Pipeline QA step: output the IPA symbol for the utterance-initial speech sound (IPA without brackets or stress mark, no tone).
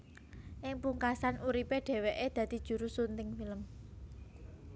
ʔ